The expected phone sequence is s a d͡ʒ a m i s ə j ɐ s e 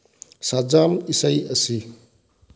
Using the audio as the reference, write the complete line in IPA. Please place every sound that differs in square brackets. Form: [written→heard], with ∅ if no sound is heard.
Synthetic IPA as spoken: s a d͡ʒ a m i s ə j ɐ s [e→i]